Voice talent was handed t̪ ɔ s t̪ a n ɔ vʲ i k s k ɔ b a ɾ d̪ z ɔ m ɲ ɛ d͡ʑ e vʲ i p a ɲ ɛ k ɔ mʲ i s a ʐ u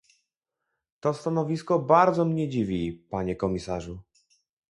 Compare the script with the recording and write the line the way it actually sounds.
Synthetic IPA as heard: t̪ ɔ s t̪ a n ɔ vʲ i s k ɔ b a ɾ d̪ z ɔ m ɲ ɛ d͡ʑ i vʲ i p a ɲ ɛ k ɔ mʲ i s a ʐ u